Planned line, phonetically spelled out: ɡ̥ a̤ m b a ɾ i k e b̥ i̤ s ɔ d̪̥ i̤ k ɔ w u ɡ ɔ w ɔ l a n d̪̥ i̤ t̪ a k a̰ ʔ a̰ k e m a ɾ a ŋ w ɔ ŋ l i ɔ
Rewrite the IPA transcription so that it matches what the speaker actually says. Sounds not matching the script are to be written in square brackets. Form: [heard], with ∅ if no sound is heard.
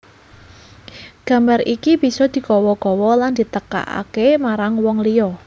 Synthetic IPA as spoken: ɡ̥ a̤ m b a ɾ i k [i] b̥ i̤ s ɔ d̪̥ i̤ k ɔ w [ɔ] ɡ ɔ w ɔ l a n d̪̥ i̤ t̪ [ə] k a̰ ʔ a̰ k e m a ɾ a ŋ w ɔ ŋ l i ɔ